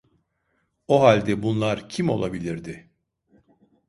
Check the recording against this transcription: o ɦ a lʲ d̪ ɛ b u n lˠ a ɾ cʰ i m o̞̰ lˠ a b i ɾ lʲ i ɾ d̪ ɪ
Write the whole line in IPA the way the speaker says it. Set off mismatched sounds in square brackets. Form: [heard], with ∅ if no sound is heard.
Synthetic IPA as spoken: o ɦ a lʲ d̪ ɛ b u n lˠ a ɾ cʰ i m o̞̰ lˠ a b i [∅] lʲ i ɾ d̪ ɪ

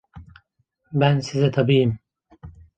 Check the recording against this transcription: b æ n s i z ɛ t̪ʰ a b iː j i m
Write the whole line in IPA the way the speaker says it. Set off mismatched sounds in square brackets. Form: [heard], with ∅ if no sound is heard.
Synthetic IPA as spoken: b æ n s i z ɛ t̪ʰ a b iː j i m

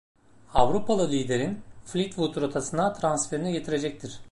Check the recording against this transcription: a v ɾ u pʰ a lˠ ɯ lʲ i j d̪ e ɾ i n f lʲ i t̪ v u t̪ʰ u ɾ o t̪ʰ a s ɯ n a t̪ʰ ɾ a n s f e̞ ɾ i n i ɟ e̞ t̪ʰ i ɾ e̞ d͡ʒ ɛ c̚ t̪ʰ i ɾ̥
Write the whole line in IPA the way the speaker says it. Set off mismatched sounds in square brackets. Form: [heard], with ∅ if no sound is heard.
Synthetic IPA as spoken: a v ɾ u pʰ a lˠ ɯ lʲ i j d̪ e ɾ i n f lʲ i t̪ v u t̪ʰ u ɾ o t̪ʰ a s ɯ n a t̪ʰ ɾ a n s f e̞ ɾ i n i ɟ e̞ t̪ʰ i ɾ e̞ d͡ʒ ɛ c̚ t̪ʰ i ɾ̥

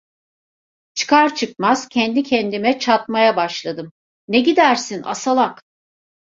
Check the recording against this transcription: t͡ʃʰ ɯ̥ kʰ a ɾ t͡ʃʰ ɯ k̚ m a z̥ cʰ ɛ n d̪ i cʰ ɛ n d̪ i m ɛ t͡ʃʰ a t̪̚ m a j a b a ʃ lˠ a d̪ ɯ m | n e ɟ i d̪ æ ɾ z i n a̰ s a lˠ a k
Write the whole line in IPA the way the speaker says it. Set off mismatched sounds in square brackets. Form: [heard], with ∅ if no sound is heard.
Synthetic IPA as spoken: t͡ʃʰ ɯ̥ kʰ a ɾ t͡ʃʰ ɯ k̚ m a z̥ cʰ ɛ n d̪ i cʰ ɛ n d̪ i m ɛ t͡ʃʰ a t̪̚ m a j a b a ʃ lˠ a d̪ ɯ m | n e ɟ i d̪ æ ɾ [s] i n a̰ s a lˠ a k

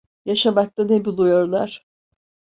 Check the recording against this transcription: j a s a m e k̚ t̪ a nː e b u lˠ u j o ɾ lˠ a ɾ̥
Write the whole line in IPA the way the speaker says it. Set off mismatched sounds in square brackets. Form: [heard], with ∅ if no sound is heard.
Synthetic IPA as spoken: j a [ʃ] a m [a] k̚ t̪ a [n] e b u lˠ u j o ɾ lˠ a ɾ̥

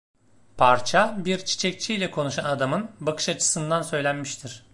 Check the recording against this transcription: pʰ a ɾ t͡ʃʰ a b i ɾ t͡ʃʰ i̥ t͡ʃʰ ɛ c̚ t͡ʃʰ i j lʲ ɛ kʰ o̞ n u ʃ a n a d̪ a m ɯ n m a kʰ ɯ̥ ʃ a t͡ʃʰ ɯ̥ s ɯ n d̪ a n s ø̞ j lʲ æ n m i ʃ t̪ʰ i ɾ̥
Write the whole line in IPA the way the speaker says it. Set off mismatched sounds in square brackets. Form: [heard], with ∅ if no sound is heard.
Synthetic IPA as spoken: pʰ a ɾ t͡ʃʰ a b i ɾ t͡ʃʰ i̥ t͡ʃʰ ɛ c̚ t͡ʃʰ i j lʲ ɛ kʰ o̞ n u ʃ a n a d̪ a m ɯ n [b] a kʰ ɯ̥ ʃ a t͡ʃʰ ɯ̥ s ɯ n d̪ a n s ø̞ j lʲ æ n m i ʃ t̪ʰ i ɾ̥

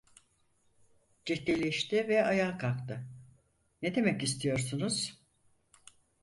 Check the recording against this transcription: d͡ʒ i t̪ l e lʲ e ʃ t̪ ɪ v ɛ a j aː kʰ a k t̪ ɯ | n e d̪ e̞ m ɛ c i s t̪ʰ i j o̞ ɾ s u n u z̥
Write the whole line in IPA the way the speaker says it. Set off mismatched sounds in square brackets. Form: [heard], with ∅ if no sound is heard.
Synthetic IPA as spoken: d͡ʒ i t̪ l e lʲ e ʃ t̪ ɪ v ɛ a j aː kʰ a k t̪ ɯ | n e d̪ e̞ m ɛ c i s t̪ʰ i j o̞ ɾ s u n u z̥

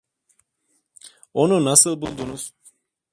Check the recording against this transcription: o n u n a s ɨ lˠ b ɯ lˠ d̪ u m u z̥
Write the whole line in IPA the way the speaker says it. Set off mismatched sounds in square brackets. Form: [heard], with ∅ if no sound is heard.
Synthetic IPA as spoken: o n u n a s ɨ lˠ b [u] lˠ d̪ u [n] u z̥

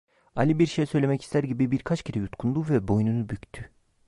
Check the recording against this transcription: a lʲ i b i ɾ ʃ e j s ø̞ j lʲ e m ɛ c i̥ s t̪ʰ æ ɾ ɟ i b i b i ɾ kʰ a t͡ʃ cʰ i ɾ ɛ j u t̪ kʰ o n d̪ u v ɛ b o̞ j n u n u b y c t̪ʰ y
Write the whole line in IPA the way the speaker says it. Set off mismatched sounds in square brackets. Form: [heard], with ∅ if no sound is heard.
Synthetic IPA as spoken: a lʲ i b i ɾ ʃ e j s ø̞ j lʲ e m ɛ c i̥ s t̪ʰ æ ɾ ɟ i b i b i ɾ kʰ a t͡ʃ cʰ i ɾ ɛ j u t̪ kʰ [u] n d̪ u v ɛ b o̞ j n u n u b y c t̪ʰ y

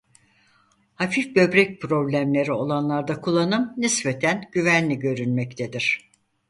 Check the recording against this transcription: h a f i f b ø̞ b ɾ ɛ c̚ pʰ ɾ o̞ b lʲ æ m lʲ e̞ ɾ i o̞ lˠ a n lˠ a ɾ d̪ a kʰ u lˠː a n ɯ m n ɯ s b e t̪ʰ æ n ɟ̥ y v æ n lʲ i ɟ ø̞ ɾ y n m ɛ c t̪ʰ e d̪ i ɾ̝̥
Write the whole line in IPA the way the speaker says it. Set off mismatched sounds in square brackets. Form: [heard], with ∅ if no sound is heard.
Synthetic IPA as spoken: h a f i f b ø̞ b ɾ ɛ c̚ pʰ ɾ o̞ b lʲ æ m lʲ e̞ ɾ i o̞ lˠ a n lˠ a ɾ d̪ a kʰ u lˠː a n ɯ m n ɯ s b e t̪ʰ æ n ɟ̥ y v æ n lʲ i ɟ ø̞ ɾ y n m ɛ c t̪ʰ e d̪ i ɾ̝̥

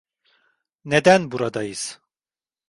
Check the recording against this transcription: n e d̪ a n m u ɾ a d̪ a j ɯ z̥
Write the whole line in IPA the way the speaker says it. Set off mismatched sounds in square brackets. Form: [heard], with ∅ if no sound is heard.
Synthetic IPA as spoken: n e d̪ [æ] n [b] u ɾ a d̪ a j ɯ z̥

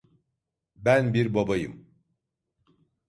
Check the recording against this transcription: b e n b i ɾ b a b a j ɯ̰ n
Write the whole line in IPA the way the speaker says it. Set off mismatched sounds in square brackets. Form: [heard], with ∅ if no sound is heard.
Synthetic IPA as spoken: b [æ] n b i ɾ b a b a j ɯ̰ [m]

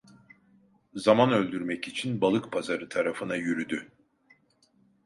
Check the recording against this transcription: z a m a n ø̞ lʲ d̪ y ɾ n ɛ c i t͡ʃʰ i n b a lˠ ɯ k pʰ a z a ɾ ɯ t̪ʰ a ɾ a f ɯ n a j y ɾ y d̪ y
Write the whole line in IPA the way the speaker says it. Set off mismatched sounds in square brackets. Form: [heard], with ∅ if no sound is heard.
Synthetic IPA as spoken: z a m a n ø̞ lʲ d̪ y ɾ [m] ɛ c i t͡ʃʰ i n b a lˠ ɯ k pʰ a z a ɾ ɯ t̪ʰ a ɾ a f ɯ n a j y ɾ y d̪ y

